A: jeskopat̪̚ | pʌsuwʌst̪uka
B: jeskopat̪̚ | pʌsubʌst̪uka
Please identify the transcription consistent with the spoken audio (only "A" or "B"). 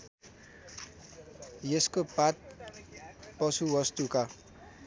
A